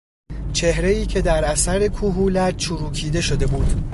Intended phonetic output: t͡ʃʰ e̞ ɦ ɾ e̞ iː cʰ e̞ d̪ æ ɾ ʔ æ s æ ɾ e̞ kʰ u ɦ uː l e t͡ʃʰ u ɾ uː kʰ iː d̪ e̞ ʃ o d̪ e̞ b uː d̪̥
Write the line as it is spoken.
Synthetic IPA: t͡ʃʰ e̞ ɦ ɾ e̞ iː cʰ e̞ d̪ æ ɾ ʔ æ s æ ɾ e̞ kʰ u ɦ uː l æ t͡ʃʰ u ɾ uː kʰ iː d̪ e̞ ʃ o d̪ e̞ b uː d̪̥